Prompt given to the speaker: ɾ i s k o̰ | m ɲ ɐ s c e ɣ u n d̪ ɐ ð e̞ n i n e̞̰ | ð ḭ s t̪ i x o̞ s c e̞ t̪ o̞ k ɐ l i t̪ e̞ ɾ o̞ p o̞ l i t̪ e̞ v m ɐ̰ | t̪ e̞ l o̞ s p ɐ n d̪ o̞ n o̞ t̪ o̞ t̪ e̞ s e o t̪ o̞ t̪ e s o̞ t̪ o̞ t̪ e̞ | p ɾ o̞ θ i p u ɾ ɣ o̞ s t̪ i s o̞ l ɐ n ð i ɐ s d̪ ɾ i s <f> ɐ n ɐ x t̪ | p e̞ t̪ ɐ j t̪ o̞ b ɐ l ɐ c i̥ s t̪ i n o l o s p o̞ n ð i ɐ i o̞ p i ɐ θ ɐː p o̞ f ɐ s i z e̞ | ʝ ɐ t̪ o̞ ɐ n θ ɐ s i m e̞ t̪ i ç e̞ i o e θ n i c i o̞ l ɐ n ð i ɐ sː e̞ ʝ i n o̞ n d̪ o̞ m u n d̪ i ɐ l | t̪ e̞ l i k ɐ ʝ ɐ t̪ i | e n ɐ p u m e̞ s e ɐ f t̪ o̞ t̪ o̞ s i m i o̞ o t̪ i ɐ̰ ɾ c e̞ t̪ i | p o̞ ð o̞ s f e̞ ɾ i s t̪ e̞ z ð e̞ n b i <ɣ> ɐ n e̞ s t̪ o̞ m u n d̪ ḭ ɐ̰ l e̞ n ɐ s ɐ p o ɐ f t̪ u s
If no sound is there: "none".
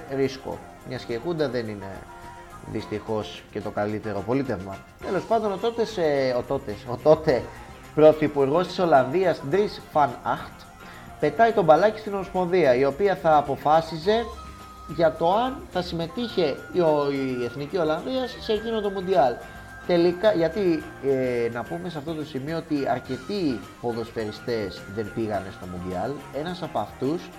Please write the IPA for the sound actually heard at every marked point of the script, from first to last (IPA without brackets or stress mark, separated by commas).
f, ɣ